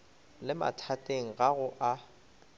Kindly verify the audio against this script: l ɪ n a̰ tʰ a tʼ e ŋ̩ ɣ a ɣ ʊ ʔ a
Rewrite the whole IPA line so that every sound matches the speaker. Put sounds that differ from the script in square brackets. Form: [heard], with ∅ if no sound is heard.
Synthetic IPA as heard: l ɪ [m] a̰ tʰ a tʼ e ŋ̩ ɣ a ɣ ʊ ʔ a